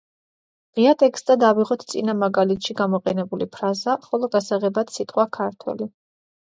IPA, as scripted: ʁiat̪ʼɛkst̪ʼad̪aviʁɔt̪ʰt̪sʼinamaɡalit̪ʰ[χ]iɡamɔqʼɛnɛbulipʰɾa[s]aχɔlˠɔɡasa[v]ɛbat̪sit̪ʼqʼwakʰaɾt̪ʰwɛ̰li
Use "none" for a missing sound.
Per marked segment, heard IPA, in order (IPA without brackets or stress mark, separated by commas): ʃ, z, ʁ